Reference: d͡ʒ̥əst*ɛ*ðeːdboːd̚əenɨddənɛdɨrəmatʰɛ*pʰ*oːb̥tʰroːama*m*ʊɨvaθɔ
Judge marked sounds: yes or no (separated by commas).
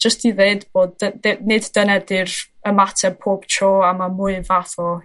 no, yes, yes